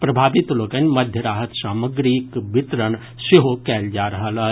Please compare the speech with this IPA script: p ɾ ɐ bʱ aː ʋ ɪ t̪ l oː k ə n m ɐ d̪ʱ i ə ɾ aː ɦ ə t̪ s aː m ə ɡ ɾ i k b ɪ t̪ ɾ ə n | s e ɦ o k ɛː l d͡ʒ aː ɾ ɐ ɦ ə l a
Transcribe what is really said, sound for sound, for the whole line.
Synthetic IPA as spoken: p ɾ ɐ bʱ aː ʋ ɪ t̪ l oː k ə n m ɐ d̪ʱ j ə ɾ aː ɦ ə t̪ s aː m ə ɡ ɾ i k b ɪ t̪ ɾ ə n | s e ɦ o k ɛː l d͡ʒ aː ɾ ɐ ɦ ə l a